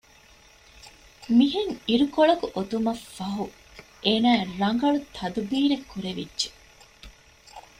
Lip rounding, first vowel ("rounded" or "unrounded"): unrounded